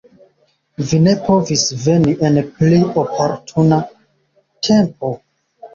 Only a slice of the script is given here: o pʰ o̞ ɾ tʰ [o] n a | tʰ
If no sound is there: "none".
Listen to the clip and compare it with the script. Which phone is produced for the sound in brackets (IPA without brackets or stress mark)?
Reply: u